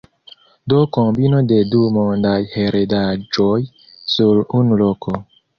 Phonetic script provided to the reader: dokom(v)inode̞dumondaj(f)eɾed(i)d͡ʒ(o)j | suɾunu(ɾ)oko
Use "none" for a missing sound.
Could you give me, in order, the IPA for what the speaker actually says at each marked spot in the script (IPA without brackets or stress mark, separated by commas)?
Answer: b, h, a, o, l